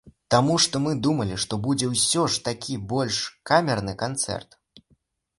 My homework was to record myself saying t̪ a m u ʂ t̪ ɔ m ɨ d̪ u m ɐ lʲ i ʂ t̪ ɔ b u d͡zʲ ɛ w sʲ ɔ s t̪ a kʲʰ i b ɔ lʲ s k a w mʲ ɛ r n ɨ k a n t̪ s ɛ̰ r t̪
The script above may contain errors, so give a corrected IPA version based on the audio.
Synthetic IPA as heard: t̪ a m u ʂ t̪ ɔ m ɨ d̪ u m ɐ lʲ i ʂ t̪ ɔ b u d͡zʲ ɛ w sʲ ɔ ʂ t̪ a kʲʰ i b ɔ lʲ ʂ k a mʲ ɛ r n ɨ k a n t̪ s ɛ̰ r t̪